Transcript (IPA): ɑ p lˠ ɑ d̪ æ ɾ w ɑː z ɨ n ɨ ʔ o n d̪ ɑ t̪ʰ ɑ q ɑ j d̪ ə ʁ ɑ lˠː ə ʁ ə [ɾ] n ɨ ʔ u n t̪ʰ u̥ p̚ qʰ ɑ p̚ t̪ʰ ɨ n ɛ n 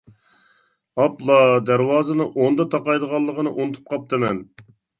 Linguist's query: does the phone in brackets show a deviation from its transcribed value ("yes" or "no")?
yes